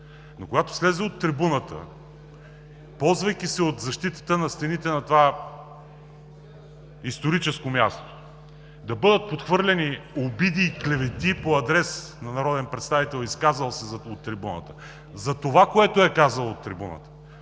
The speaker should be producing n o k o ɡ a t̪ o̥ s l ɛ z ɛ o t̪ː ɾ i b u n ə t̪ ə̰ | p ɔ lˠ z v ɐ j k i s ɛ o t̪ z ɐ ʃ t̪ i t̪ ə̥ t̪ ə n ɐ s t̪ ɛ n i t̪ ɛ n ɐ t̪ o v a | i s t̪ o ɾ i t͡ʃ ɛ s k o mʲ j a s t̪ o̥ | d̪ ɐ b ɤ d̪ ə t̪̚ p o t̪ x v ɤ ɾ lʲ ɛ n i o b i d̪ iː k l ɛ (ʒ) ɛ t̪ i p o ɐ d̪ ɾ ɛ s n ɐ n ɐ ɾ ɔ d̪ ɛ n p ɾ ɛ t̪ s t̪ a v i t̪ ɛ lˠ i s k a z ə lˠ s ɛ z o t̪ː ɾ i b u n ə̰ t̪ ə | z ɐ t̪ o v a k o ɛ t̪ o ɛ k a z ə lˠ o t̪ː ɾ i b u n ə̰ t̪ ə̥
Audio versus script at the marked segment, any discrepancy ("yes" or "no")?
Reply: yes